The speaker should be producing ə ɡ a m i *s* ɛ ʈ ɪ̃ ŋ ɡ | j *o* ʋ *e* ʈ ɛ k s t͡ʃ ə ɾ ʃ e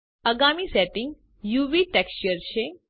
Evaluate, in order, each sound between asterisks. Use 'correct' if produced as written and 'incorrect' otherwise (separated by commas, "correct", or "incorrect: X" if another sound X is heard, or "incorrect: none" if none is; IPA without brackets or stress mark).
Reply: correct, incorrect: u, incorrect: i